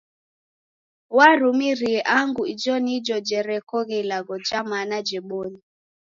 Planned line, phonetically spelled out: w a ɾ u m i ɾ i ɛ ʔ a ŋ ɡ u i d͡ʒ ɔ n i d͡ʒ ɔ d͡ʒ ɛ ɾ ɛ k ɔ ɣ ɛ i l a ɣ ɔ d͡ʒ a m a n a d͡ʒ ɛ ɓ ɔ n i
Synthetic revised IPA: w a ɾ u m i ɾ i ɛ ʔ a ŋ ɡ u i d͡ʒ ɔ n i d͡ʒ ɔ d͡ʒ ɛ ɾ ɛ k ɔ ɣ ɛ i l a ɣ ɔ d͡ʒ a m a n a d͡ʒ ɛ ɓ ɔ n i